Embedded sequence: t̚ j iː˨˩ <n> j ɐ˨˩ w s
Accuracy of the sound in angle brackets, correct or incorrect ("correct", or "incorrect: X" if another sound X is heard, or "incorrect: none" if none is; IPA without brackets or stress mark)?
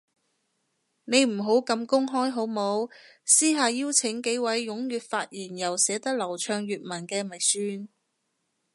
correct